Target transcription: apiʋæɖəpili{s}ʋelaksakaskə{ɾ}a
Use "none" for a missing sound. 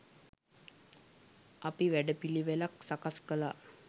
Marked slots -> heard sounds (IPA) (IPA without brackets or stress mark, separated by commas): none, l